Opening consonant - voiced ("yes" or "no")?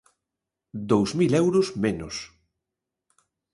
yes